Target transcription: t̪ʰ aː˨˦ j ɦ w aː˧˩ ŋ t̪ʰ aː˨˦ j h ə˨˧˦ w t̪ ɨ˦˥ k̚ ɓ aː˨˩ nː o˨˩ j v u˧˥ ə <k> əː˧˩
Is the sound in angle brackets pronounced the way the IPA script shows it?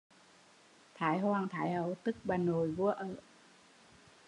no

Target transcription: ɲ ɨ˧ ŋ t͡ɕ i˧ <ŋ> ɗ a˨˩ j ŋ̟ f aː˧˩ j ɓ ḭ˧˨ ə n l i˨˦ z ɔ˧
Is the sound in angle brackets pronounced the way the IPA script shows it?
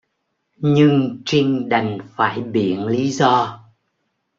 yes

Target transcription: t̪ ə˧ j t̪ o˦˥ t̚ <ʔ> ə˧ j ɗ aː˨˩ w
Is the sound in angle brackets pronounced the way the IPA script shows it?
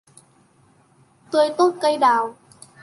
no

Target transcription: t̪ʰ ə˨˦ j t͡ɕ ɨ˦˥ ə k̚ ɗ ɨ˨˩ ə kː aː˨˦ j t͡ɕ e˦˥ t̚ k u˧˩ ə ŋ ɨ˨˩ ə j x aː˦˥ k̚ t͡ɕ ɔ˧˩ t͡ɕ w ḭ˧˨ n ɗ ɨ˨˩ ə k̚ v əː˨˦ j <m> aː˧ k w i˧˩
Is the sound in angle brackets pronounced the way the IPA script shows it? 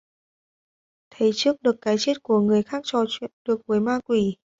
yes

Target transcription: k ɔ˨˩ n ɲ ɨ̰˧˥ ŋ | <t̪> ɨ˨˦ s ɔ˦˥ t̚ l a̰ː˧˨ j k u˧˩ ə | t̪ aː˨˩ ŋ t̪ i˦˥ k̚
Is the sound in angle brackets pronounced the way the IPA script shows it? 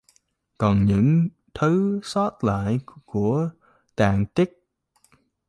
no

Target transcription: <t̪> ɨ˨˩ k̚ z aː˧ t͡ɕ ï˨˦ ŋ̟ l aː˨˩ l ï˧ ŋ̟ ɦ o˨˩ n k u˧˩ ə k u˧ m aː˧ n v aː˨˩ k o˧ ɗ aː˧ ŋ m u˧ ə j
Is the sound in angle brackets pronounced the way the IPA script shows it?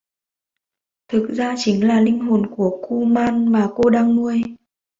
no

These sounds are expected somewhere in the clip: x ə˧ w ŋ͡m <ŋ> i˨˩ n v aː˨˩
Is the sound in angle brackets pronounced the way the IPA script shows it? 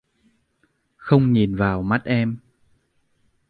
no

